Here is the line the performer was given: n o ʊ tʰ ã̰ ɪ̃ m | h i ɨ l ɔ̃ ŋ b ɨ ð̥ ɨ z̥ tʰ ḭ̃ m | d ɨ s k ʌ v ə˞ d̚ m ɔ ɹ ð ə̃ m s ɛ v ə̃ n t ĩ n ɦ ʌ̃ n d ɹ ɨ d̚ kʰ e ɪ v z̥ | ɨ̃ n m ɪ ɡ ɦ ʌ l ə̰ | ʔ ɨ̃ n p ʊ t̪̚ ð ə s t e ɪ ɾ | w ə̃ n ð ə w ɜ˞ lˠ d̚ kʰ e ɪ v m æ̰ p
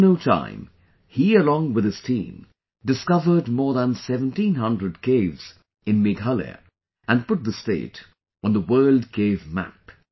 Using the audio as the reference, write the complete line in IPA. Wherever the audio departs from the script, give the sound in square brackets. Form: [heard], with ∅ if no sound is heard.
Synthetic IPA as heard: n o ʊ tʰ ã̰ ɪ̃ m | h i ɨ l ɔ̃ ŋ [w] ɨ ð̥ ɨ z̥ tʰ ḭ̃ m | d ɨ s k ʌ v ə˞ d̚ m ɔ ɹ ð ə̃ [n] s ɛ v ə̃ n t ĩ n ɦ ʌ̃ n d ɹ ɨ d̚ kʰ e ɪ v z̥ | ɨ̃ n m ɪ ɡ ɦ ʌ l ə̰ | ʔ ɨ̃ n p ʊ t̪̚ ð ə s t e ɪ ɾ | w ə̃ n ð ə w ɜ˞ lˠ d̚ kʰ e ɪ v m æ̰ p